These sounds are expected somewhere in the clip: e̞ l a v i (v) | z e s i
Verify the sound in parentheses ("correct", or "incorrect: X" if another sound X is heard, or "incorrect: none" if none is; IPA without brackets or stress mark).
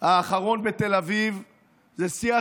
correct